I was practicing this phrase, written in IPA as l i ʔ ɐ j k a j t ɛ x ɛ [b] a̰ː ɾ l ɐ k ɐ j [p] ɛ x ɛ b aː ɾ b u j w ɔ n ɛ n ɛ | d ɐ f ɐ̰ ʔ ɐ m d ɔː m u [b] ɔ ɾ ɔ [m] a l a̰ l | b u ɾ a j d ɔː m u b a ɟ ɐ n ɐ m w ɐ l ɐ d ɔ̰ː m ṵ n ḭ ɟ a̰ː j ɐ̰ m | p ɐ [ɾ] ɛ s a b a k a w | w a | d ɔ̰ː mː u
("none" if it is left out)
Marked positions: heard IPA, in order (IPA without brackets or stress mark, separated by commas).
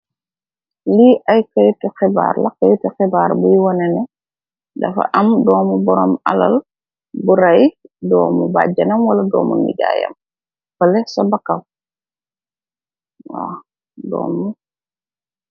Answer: b, t, b, m, l